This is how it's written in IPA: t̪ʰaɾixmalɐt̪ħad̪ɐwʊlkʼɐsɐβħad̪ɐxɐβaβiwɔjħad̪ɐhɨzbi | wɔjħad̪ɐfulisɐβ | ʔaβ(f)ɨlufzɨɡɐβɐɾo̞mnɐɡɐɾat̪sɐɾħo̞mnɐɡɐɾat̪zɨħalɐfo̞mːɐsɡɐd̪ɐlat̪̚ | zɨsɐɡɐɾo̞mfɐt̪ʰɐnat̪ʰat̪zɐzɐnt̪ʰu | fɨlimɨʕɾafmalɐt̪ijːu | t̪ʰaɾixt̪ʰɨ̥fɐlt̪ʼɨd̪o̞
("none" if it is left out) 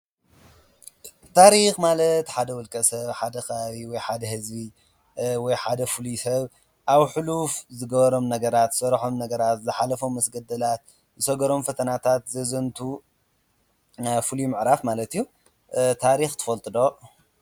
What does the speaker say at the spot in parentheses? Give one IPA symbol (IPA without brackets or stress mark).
ħ